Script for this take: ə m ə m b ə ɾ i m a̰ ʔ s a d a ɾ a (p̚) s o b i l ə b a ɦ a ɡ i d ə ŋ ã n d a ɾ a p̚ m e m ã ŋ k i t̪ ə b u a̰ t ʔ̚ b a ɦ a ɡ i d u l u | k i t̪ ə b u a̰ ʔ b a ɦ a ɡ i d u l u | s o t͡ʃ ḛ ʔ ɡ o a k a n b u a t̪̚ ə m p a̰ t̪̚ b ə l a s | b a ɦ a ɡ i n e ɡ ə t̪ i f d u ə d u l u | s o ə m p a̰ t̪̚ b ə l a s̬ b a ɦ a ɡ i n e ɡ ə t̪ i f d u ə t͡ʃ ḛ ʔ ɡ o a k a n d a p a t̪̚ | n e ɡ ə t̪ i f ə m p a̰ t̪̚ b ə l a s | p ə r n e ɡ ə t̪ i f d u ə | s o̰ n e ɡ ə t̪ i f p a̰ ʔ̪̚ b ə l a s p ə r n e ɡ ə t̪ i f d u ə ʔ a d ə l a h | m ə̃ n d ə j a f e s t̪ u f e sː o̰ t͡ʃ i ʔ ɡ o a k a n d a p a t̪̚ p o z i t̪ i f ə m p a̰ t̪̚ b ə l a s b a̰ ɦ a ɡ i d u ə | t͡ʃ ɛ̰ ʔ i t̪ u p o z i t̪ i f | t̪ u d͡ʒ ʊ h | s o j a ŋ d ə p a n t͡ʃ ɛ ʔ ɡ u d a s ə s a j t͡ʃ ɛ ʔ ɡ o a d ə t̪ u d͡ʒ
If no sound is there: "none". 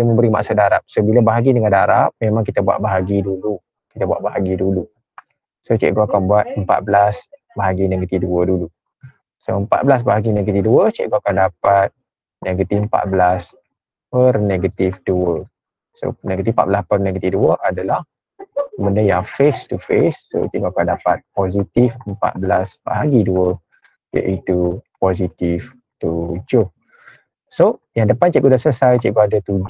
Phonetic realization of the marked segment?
p̚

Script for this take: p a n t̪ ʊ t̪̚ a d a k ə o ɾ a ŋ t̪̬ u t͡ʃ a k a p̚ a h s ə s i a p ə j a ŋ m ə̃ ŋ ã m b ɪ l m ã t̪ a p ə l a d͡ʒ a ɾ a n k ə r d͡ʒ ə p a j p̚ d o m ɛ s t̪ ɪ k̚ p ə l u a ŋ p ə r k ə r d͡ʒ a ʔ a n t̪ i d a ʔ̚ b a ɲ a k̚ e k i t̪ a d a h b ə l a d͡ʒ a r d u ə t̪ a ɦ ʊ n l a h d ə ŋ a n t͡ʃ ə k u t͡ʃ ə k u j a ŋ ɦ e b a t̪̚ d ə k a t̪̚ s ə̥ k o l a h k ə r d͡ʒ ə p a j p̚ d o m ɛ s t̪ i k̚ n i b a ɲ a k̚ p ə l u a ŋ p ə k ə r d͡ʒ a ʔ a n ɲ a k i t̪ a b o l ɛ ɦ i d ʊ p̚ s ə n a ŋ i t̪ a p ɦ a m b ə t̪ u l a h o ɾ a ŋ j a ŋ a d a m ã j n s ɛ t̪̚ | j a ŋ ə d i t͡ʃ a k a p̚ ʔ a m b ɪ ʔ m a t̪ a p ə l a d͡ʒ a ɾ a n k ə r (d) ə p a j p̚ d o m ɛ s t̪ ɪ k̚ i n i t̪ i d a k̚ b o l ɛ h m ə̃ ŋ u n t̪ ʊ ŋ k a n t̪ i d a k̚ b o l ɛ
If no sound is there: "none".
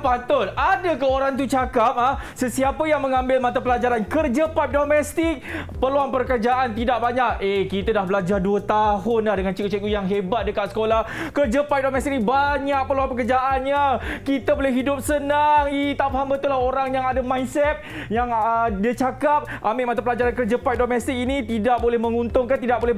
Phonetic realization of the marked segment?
d͡ʒ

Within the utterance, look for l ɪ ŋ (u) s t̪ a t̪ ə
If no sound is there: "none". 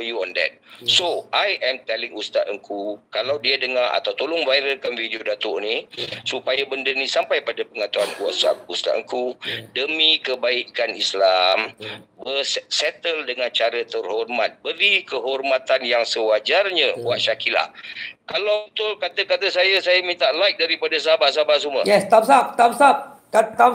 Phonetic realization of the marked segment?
u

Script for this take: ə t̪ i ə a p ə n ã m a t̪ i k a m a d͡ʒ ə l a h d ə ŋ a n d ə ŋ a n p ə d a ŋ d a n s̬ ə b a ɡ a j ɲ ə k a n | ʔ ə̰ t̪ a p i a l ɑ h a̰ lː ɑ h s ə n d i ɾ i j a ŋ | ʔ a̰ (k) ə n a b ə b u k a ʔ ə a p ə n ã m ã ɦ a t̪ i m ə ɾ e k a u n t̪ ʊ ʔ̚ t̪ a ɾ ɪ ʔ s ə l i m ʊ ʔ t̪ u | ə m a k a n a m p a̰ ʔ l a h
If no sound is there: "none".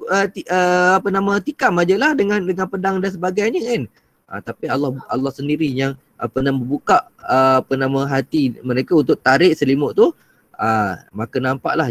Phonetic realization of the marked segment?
p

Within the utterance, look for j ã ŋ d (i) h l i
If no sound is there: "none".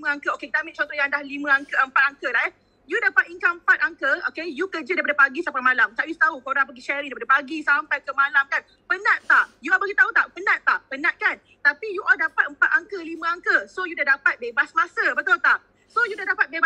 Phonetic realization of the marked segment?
a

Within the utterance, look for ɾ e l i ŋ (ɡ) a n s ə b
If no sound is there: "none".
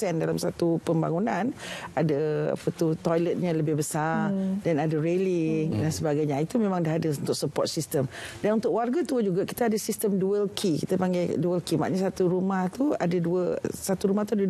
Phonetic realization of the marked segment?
d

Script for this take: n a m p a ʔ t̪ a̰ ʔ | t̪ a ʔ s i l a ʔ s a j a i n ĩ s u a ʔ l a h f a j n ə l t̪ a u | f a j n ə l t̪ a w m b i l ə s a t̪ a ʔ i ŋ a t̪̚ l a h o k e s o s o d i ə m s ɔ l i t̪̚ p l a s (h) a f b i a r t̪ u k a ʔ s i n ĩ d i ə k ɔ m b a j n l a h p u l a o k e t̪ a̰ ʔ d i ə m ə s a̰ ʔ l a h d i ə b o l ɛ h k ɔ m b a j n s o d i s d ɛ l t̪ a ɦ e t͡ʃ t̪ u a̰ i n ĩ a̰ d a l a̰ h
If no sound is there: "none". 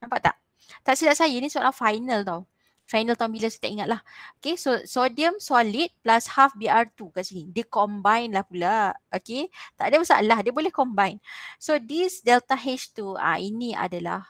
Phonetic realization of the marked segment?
h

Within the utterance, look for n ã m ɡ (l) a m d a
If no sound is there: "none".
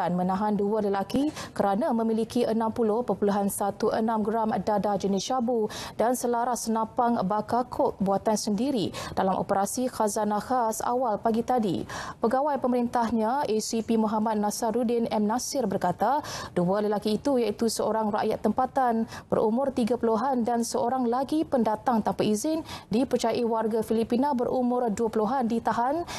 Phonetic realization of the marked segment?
ɾ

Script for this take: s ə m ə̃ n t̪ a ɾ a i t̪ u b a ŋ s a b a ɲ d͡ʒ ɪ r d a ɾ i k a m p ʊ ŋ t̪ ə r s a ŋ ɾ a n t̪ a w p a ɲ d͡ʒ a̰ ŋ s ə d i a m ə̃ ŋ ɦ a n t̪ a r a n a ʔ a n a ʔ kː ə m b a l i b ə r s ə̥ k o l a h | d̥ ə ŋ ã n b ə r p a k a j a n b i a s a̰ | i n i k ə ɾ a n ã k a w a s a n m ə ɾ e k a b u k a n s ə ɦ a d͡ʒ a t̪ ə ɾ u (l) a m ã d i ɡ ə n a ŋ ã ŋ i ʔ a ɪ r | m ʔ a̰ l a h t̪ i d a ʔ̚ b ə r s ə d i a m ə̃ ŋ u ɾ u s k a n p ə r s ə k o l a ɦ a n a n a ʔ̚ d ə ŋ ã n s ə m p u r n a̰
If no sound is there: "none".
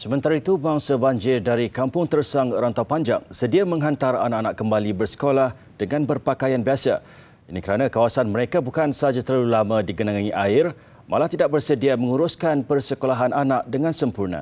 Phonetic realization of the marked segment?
l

